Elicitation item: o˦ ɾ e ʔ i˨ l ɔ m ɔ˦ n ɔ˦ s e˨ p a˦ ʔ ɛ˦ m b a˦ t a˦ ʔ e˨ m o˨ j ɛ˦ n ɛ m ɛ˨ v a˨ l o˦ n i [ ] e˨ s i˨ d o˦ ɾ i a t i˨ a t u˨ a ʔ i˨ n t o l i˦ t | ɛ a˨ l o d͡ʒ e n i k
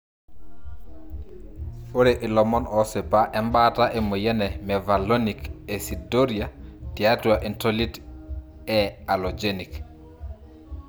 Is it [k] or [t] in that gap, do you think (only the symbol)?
k